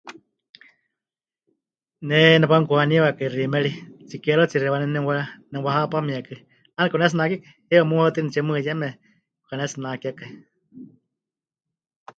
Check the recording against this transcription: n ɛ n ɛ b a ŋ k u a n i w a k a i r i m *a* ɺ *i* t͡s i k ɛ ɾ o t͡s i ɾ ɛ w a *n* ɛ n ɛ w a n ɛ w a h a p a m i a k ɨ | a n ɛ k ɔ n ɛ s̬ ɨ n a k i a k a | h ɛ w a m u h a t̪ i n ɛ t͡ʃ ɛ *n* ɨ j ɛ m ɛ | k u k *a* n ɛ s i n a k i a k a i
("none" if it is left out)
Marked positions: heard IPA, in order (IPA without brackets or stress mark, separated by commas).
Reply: ɛ, i, n, m, a